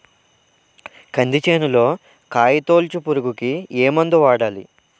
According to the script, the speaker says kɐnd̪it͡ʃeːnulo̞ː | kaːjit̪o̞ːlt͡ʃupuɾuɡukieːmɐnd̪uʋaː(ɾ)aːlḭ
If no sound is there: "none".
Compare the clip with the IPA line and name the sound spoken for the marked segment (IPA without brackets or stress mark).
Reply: ɽ